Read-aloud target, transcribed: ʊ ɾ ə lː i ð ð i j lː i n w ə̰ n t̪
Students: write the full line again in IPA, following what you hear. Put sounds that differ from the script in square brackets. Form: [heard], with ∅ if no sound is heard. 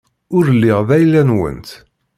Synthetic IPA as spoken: ʊ ɾ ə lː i [ʁ] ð [æ] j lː [æ] n w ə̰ n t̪